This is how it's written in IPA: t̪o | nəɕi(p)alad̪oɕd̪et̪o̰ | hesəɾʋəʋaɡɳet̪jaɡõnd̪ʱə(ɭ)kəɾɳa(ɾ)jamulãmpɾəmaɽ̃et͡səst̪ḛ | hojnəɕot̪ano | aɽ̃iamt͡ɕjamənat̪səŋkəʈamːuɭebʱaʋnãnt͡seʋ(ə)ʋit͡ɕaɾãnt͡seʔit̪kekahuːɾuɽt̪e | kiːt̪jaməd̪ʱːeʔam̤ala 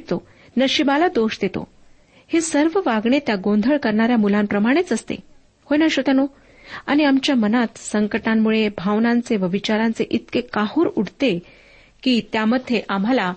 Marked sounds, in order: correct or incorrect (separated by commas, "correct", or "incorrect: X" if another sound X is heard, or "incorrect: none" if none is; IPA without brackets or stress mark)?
incorrect: b, correct, correct, correct